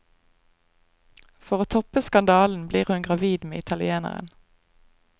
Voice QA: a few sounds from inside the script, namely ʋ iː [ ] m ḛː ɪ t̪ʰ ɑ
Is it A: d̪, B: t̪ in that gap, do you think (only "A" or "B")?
A